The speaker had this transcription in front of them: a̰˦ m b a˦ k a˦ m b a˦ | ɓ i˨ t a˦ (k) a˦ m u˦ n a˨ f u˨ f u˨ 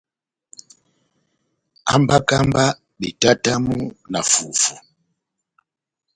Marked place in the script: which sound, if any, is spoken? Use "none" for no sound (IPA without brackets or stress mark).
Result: t